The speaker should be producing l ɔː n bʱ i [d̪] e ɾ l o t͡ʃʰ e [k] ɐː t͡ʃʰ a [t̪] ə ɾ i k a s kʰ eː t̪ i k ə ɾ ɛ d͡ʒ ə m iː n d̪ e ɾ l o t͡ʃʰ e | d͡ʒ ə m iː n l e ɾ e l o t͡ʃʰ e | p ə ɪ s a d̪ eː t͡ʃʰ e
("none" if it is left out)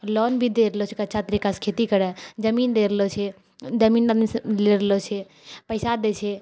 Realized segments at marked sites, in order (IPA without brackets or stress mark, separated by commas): d̪, k, t̪